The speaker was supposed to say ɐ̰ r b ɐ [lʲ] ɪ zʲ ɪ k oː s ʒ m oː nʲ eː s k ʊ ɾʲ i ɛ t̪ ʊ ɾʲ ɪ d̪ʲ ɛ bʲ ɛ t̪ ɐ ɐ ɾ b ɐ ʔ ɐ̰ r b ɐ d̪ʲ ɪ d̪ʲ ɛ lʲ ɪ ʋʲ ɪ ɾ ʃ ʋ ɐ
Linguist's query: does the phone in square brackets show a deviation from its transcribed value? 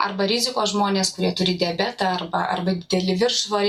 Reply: yes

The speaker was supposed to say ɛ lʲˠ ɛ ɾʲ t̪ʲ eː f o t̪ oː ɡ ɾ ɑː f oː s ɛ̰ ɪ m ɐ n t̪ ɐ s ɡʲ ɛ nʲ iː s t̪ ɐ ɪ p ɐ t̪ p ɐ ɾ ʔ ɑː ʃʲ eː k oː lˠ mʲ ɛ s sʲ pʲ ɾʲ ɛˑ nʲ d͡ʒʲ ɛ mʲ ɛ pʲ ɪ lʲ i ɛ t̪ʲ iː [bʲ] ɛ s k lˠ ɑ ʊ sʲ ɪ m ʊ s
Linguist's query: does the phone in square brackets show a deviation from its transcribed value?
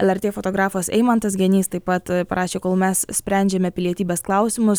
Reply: no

